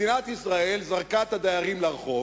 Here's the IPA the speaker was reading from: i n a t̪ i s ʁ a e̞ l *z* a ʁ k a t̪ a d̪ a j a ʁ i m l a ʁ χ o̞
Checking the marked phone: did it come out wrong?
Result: no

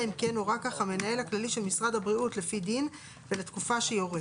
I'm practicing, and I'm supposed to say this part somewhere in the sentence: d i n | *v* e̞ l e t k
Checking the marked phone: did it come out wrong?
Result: no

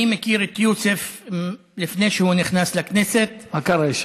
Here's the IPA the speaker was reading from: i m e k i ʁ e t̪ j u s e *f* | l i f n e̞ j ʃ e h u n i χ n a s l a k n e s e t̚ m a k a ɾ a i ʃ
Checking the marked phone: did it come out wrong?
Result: no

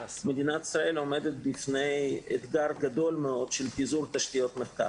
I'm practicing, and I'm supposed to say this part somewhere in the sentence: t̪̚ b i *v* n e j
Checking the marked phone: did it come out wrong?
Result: yes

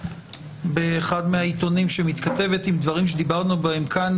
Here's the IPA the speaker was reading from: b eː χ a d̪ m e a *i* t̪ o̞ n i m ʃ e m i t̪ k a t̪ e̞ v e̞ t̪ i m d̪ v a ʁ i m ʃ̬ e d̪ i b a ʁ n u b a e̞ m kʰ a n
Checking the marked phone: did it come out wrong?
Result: no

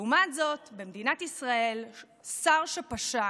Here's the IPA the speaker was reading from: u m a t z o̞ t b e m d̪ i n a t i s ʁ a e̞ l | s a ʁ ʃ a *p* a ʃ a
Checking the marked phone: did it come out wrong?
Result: no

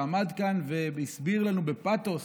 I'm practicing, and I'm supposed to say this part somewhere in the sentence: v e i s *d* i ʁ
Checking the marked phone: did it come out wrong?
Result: yes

